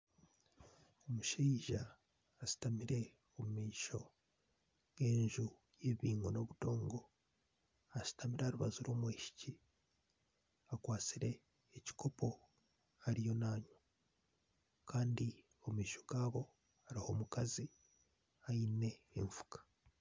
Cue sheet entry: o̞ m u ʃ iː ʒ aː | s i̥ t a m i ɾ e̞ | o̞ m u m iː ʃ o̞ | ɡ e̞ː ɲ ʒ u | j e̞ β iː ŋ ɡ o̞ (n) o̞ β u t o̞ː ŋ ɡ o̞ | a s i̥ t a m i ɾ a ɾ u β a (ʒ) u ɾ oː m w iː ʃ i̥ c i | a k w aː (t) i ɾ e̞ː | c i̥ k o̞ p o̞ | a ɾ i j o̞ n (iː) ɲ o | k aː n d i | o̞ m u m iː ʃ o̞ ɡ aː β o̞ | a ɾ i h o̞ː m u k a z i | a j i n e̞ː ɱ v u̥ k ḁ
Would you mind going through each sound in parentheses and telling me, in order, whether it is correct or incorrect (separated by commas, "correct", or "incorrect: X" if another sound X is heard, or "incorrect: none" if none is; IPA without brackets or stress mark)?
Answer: correct, incorrect: z, incorrect: t͡s, incorrect: aː